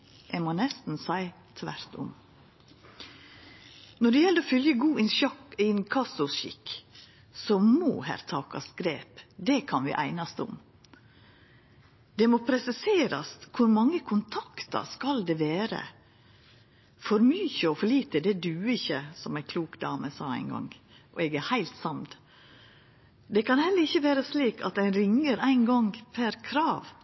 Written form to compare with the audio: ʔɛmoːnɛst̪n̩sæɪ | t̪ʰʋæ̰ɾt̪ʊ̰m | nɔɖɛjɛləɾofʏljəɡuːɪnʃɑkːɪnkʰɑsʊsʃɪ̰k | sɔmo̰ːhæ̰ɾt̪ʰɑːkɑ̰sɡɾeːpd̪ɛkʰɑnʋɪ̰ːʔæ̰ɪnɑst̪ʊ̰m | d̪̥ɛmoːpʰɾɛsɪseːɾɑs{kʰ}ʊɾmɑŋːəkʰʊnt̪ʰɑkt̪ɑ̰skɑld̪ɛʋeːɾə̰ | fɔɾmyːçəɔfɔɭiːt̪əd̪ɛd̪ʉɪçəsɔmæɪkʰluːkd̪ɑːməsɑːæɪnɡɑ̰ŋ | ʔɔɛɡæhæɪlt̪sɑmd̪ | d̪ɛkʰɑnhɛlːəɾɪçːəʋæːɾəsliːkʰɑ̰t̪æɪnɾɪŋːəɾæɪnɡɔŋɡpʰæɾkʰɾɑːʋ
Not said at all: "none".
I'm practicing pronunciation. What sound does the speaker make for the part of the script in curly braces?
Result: kʰ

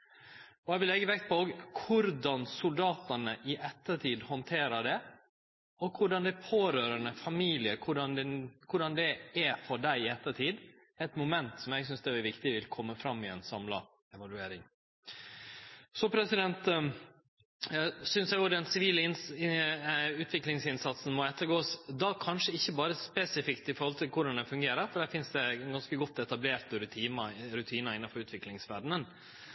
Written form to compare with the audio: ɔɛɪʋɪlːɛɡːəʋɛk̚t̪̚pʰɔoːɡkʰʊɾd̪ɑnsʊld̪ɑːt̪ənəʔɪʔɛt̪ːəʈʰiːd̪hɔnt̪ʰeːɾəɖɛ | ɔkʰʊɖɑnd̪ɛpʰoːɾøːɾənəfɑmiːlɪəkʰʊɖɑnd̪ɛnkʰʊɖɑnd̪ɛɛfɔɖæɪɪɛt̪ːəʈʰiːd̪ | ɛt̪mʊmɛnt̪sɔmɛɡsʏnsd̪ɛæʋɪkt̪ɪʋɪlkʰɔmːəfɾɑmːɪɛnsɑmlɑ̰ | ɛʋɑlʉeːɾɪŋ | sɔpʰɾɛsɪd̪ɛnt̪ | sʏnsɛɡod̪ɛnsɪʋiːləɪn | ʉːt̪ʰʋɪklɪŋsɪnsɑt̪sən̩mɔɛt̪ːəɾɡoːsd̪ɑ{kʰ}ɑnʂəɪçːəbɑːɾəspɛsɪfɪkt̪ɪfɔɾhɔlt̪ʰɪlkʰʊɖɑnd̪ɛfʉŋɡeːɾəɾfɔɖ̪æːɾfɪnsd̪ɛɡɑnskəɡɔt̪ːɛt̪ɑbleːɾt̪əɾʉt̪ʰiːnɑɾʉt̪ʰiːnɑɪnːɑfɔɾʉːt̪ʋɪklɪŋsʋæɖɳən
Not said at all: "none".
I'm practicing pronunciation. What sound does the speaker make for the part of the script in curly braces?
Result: kʰ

